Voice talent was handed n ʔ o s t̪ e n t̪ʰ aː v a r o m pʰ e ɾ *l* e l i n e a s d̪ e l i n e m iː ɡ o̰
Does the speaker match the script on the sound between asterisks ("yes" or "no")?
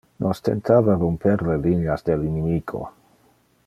yes